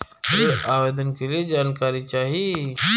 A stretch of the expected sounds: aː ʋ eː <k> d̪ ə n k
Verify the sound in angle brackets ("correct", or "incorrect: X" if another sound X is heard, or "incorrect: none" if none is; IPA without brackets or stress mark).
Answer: incorrect: none